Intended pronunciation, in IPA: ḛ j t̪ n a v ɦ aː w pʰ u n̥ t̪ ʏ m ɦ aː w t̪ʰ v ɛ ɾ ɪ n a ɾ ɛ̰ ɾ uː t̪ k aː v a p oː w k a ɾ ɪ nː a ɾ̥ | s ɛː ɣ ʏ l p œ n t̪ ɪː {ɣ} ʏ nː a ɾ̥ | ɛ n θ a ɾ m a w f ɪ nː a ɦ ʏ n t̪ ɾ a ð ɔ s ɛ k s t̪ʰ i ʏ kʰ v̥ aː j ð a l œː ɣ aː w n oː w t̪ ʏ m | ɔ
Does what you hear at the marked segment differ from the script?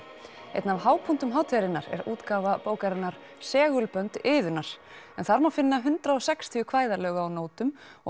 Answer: yes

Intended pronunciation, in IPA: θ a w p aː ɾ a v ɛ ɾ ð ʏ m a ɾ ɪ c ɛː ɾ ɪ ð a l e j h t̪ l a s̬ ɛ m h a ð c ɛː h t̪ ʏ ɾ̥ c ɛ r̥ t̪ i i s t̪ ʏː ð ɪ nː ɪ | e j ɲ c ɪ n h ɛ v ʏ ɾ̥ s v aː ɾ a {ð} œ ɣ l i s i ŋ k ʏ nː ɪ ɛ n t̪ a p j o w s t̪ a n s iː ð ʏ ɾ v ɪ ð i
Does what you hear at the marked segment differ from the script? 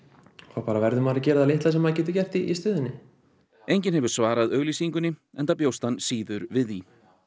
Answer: no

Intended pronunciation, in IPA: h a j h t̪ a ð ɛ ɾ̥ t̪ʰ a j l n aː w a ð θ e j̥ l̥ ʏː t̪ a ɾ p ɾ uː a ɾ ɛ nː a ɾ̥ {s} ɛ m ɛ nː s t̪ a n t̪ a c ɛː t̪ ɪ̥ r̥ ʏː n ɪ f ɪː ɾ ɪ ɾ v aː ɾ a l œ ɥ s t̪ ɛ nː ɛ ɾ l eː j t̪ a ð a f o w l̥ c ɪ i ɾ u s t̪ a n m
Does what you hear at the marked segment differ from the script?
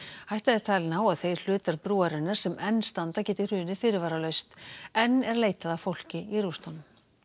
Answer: no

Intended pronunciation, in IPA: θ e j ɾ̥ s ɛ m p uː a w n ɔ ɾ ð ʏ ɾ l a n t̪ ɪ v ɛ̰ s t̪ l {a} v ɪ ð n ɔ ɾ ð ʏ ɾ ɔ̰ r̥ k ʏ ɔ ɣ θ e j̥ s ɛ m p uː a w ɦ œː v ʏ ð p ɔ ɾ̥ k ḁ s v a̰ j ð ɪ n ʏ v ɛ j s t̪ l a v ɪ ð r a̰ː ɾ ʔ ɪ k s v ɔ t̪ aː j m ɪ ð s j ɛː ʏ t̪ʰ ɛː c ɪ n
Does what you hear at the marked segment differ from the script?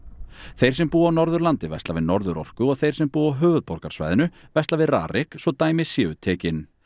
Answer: no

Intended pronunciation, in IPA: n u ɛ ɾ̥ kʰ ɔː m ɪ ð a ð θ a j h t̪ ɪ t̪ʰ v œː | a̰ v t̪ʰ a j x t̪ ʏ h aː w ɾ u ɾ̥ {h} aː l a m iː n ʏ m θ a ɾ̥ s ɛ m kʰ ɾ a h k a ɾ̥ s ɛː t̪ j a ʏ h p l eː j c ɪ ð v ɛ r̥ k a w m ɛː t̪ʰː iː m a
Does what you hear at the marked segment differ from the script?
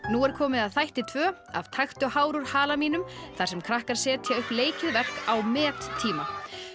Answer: no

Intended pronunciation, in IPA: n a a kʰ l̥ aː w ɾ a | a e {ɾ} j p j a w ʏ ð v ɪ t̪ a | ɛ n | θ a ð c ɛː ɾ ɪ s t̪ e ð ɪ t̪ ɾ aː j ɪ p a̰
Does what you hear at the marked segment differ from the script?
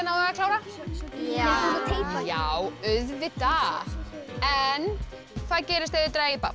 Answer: yes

